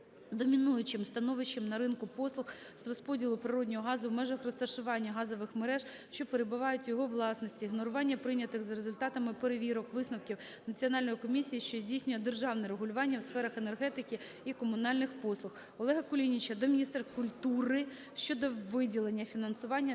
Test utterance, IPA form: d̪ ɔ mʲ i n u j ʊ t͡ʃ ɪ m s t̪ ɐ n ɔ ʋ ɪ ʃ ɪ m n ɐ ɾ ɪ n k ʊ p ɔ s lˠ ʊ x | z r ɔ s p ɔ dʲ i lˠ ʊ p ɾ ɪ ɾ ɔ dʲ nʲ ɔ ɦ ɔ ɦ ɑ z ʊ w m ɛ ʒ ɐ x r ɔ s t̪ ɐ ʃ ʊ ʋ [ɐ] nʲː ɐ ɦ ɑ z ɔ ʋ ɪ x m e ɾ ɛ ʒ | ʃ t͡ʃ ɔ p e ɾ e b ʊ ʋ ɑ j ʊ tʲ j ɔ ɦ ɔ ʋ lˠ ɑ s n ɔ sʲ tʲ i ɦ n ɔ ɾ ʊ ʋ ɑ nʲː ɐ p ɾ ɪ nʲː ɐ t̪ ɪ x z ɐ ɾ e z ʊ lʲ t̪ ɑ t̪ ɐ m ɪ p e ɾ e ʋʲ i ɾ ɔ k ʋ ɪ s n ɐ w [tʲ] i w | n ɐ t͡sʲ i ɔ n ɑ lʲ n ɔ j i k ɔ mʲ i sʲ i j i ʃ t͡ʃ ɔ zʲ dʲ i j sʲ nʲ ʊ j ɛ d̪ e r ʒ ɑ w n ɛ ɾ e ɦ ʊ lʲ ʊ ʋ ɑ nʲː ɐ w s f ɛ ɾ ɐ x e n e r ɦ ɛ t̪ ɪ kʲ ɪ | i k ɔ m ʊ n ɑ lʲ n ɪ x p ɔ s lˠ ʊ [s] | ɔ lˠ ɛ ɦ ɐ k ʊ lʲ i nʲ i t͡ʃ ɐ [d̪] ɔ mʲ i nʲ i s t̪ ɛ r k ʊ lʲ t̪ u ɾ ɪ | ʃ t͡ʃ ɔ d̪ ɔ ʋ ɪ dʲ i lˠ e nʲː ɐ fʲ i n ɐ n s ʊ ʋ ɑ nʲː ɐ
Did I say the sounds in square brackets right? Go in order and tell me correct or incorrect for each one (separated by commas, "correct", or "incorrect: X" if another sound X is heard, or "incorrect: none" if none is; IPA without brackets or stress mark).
incorrect: ɑ, incorrect: kʲ, incorrect: x, correct